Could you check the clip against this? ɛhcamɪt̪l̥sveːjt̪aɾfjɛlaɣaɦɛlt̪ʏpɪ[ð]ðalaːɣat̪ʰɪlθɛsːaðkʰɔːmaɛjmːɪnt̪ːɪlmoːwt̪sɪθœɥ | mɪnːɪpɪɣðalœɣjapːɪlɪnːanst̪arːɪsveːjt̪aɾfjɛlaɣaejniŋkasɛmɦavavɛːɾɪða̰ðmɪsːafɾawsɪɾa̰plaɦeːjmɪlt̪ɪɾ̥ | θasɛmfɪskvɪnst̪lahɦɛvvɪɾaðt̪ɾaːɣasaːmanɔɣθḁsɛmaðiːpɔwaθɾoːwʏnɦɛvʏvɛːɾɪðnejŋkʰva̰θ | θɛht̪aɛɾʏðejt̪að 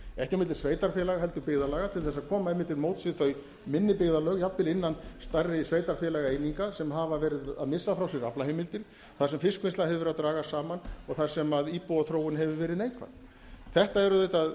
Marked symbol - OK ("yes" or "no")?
no